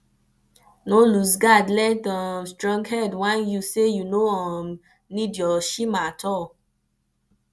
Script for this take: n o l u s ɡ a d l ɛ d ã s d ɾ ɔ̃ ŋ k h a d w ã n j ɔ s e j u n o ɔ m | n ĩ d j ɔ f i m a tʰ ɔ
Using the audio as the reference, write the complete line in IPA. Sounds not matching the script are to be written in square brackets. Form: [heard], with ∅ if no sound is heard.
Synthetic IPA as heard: n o l u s ɡ a d l ɛ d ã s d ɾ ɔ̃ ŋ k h [ɛ] d w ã n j [u] s e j u n o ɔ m | n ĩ d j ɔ [ʃ] i m a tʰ ɔ